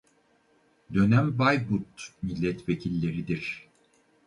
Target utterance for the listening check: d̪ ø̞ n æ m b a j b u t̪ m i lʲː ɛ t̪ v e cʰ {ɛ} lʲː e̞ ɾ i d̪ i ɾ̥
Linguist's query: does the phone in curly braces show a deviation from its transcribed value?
yes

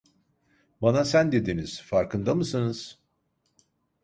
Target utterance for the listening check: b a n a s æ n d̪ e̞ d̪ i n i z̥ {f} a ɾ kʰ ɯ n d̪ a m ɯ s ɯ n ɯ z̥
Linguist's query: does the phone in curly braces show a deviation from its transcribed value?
no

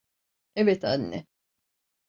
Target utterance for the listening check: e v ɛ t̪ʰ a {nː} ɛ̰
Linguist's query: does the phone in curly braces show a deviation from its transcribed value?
no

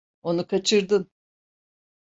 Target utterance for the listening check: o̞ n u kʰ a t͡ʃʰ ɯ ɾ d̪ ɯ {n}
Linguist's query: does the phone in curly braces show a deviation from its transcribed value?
no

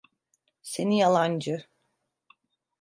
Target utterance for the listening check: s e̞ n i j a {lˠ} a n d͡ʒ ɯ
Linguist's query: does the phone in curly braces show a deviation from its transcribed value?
no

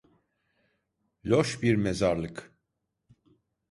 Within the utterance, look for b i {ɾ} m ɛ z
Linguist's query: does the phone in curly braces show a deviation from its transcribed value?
no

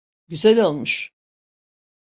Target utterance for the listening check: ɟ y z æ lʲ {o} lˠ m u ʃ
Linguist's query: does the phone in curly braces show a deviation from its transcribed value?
no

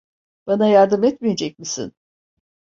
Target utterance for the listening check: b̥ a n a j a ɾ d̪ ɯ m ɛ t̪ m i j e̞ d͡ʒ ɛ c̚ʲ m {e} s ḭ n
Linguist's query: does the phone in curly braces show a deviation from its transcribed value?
yes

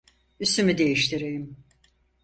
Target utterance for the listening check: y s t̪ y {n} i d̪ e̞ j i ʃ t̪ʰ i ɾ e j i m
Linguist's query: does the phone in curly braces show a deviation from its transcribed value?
yes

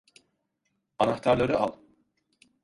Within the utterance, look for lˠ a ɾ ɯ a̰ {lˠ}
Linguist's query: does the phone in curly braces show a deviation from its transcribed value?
no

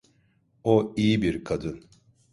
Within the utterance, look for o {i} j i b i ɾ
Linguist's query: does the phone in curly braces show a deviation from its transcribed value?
no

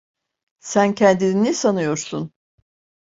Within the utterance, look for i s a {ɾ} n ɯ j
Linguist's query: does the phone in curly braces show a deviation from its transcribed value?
yes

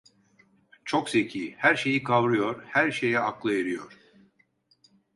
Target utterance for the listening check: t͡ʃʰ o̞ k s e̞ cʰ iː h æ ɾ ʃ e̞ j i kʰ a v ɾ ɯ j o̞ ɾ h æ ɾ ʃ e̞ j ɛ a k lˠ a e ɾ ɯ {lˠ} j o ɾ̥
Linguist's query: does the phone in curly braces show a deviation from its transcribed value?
yes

